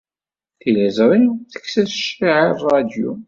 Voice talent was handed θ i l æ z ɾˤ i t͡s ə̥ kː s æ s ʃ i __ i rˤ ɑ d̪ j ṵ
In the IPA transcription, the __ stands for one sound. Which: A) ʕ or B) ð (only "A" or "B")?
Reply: A